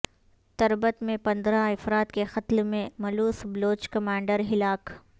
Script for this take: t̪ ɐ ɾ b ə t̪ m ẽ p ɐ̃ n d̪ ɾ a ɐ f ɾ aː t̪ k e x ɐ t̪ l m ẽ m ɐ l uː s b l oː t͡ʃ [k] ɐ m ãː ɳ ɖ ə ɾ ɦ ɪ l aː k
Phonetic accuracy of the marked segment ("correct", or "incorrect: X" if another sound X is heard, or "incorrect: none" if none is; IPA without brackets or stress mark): correct